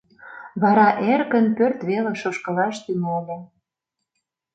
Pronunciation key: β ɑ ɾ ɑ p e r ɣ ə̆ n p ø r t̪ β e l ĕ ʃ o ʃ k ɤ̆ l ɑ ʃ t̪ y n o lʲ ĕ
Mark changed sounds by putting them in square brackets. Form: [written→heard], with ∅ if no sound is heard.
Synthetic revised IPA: β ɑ ɾ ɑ [p→ʔ] e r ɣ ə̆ n p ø r t̪ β e l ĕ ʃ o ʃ k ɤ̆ l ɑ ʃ t̪ y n o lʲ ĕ